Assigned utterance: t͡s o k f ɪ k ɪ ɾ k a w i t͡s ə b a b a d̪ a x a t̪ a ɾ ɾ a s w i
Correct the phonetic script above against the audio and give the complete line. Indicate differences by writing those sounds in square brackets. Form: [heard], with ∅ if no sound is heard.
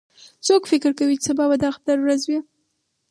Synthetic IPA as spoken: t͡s o k f ɪ k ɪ ɾ k a w i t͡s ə b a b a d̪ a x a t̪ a ɾ ɾ a [z] w i